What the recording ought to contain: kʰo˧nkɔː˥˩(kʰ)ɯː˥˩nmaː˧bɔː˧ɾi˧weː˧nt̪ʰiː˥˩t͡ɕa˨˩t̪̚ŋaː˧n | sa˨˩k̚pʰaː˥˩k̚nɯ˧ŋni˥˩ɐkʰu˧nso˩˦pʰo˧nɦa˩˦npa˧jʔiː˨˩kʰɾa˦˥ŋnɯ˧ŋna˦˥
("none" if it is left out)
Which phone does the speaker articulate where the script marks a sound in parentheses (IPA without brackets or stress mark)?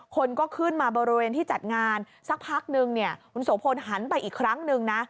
kʰ